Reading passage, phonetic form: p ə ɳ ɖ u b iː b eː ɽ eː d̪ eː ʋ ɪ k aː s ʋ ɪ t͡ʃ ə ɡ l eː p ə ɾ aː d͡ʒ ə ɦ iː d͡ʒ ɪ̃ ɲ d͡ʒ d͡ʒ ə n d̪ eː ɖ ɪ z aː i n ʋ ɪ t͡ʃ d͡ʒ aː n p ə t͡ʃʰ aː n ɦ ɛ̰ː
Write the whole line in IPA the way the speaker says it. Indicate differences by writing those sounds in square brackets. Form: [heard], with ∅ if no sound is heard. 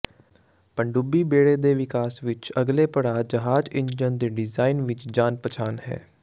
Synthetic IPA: p ə ɳ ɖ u b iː b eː ɽ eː d̪ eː ʋ ɪ k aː s ʋ ɪ t͡ʃ ə ɡ l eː p ə [ɽ] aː d͡ʒ ə ɦ [aː] d͡ʒ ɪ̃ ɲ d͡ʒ d͡ʒ ə n d̪ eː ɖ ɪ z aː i n ʋ ɪ t͡ʃ d͡ʒ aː n p ə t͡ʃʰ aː n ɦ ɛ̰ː